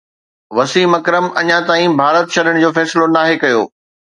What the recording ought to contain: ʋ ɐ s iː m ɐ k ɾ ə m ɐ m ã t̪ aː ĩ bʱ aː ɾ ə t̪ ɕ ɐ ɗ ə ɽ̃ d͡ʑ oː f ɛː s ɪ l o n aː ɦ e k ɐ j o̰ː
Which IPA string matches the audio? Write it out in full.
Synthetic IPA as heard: ʋ ɐ s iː m ɐ k ɾ ə m ɐ ɲ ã t̪ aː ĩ bʱ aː ɾ ə t̪ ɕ ɐ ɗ ə ɽ̃ d͡ʑ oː f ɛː s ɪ l o n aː ɦ e k ɐ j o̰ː